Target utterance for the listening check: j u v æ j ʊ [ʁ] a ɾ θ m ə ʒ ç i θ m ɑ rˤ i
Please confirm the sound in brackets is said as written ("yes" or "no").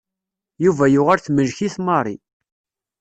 yes